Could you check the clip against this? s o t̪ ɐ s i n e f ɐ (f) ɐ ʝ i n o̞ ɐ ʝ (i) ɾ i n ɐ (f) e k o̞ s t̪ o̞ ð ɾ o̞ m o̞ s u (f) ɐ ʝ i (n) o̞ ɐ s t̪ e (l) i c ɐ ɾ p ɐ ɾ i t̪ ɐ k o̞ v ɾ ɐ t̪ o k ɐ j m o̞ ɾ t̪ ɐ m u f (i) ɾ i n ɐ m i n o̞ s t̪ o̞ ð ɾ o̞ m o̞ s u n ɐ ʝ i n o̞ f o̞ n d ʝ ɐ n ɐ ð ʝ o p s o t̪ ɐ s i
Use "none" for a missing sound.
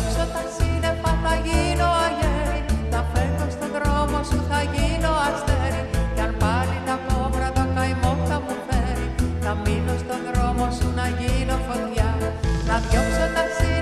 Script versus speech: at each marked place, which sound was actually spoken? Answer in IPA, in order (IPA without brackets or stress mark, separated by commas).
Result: θ, e, f, θ, n, ɾ, e